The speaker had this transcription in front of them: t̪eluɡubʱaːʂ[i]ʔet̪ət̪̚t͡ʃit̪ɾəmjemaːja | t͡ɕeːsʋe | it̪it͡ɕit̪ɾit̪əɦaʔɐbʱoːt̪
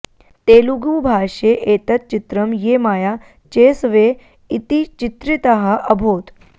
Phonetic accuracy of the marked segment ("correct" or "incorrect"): incorrect